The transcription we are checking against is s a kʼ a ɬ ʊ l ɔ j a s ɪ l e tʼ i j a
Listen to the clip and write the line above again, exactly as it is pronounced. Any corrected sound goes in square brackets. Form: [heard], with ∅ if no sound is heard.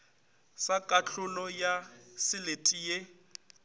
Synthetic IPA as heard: s a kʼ a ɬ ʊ l ɔ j a s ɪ l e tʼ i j [e]